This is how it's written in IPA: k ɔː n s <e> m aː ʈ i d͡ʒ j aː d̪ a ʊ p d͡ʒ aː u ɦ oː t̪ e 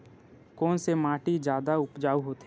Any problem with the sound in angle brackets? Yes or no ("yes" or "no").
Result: no